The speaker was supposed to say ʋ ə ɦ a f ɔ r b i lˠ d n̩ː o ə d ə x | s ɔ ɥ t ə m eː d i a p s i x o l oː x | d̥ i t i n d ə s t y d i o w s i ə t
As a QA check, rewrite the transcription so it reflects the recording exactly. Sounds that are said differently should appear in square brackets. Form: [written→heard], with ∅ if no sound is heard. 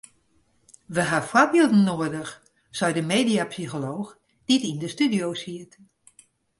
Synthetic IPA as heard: ʋ ə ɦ a f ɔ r b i lˠ d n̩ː o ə d ə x | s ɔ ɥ [t→d] ə m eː d i a p s i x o l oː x | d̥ i t i n d ə s t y d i o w s i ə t